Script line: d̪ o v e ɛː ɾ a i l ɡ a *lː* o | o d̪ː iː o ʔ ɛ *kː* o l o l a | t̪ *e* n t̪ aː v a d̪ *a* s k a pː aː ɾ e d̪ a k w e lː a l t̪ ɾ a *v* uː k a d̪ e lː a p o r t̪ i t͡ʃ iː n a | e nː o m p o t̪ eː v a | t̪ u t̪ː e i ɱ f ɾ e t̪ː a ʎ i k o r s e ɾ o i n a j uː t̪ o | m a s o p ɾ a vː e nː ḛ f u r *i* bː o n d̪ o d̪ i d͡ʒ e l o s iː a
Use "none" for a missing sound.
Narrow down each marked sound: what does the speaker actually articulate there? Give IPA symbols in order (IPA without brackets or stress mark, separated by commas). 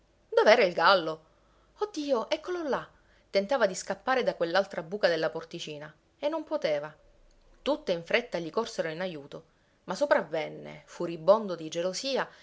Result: lː, kː, e, i, b, i